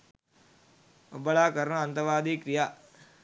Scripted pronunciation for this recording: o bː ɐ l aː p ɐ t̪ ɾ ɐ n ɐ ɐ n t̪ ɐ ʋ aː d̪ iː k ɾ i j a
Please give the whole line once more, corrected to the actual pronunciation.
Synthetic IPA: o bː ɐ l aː k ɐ ɾ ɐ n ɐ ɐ n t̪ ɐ ʋ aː d̪ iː k ɾ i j a